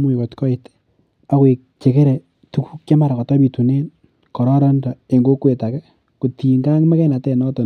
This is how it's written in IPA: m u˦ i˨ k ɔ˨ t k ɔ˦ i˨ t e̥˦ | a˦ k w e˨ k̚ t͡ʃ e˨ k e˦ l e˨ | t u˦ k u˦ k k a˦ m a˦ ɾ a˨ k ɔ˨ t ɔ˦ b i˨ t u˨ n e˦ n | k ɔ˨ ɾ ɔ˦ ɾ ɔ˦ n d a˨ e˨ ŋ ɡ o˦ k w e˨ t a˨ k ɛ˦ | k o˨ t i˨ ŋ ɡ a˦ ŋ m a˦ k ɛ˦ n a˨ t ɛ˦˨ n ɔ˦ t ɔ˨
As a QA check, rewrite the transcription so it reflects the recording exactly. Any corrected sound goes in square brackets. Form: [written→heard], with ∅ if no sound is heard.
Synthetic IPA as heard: m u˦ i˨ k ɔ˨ t k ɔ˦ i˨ t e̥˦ | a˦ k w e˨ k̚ t͡ʃ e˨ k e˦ [l→ɾ] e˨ | t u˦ k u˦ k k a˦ m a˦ ɾ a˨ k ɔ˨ t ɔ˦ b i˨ t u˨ n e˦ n | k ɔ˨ ɾ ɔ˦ ɾ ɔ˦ n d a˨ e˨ ŋ ɡ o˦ k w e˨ t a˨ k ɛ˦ | k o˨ t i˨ ŋ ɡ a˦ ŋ m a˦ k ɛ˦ n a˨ t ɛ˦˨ n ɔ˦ t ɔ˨